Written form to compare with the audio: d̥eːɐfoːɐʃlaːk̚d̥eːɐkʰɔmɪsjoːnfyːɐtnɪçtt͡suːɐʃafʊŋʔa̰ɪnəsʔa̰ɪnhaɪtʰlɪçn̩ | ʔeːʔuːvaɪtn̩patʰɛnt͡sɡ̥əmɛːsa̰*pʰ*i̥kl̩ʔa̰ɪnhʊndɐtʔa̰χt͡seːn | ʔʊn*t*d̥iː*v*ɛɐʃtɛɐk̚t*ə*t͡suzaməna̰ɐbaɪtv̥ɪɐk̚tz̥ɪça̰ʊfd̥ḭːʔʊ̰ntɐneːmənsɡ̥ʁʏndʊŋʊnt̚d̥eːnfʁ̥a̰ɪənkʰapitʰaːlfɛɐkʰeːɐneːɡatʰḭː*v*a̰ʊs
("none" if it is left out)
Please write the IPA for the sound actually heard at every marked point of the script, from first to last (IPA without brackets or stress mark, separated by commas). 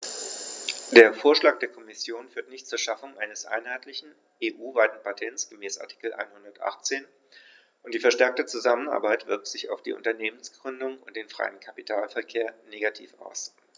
tʰ, t, f, ə, f